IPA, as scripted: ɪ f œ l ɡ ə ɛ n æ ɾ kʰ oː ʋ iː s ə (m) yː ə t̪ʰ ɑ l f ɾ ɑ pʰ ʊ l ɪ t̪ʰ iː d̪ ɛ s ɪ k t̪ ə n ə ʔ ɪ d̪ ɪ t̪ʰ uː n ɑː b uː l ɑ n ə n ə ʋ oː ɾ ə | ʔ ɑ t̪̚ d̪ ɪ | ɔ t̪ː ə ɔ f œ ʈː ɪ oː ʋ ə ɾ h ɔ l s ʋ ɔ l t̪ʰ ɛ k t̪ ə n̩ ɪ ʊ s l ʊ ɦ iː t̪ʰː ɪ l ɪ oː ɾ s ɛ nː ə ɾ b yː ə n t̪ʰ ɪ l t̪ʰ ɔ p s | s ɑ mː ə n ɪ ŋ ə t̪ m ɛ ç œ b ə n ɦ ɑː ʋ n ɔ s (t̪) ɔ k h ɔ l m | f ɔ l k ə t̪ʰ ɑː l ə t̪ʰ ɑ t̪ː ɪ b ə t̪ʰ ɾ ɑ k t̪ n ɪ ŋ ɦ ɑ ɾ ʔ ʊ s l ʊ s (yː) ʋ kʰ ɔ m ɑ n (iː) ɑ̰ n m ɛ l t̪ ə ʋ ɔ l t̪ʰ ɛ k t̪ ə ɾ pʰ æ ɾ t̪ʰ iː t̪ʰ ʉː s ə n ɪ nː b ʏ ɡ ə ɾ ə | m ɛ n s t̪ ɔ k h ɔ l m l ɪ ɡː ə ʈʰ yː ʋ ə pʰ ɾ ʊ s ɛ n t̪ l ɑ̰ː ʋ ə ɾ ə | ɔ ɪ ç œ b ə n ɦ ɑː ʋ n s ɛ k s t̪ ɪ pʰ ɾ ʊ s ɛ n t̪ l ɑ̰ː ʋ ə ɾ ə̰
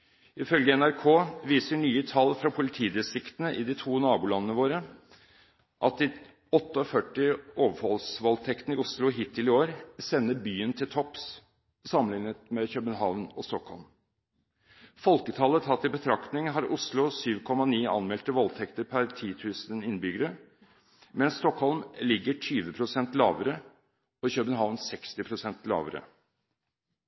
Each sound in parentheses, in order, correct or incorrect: incorrect, correct, correct, correct

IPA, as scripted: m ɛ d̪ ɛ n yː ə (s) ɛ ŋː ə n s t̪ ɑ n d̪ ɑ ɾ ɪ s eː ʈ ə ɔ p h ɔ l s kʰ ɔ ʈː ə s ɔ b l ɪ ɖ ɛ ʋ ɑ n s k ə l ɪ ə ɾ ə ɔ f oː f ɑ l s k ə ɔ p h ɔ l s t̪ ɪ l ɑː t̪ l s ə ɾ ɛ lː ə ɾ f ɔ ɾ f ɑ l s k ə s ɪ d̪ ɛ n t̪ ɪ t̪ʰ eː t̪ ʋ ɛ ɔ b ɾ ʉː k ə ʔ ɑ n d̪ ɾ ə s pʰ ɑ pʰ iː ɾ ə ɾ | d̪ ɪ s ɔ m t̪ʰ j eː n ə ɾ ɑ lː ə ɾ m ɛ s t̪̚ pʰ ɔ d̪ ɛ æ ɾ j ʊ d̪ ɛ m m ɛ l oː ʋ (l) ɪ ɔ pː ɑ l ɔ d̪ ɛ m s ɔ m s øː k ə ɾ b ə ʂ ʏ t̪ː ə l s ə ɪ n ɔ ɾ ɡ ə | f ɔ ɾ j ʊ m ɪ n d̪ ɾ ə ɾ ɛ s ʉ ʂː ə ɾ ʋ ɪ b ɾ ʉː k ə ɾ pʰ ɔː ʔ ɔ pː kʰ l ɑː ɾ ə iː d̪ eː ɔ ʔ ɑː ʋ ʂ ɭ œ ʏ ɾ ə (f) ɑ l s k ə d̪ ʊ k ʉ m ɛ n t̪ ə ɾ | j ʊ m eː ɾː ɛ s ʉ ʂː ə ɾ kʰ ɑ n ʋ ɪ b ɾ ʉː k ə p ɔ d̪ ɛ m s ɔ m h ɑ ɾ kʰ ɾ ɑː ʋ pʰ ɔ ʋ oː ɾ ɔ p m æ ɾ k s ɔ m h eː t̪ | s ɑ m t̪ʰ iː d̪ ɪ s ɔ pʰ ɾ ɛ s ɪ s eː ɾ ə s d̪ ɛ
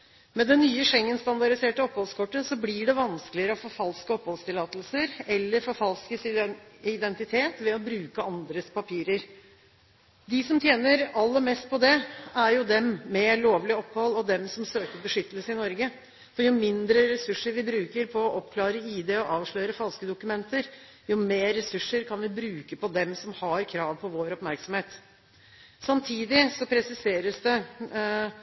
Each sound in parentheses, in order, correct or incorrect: incorrect, correct, correct

